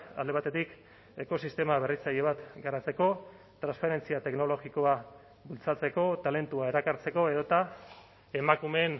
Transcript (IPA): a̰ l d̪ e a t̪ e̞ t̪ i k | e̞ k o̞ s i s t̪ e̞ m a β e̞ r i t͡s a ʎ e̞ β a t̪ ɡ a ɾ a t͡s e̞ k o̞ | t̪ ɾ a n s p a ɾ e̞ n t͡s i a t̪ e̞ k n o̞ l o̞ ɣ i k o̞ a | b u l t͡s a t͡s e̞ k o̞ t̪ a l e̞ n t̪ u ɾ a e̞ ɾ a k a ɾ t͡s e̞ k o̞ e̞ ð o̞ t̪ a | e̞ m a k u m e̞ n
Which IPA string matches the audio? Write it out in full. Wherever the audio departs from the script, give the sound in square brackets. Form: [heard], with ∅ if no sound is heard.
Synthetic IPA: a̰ l d̪ e a t̪ e̞ t̪ i k | e̞ k o̞ s i s t̪ e̞ m a β e̞ r i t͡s a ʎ e̞ β a t̪ ɡ a ɾ a t͡s e̞ k o̞ | t̪ ɾ a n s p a ɾ e̞ n t͡s i a t̪ e̞ k n o̞ l o̞ ɣ i k o̞ a | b u l t͡s a t͡s e̞ k o̞ t̪ a l e̞ n t̪ u [∅] a e̞ ɾ a k a ɾ t͡s e̞ k o̞ e̞ ð o̞ t̪ a | e̞ m a k u m e̞ n